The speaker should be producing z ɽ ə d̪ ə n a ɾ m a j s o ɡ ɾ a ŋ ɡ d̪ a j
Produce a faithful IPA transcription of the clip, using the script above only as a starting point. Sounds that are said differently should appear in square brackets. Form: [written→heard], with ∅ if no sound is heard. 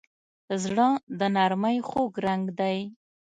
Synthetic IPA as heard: z ɽ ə d̪ ə n a ɾ m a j [s→x] o ɡ ɾ a ŋ ɡ d̪ a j